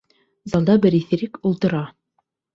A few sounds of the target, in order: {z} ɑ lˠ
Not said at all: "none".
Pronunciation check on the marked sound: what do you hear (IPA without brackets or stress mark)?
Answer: z